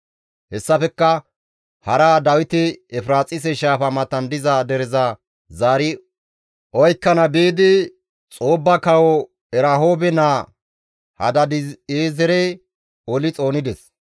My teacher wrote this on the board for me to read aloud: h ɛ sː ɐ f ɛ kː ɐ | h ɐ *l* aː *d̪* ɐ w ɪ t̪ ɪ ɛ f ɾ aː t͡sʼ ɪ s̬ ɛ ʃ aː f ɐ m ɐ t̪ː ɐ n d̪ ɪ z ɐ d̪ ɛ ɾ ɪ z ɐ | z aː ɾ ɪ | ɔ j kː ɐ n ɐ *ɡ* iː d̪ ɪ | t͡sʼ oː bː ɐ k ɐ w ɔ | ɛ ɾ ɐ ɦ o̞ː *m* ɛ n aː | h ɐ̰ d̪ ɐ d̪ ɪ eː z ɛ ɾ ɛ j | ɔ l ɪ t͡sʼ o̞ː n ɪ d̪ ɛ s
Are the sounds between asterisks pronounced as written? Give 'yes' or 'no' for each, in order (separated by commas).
no, yes, no, no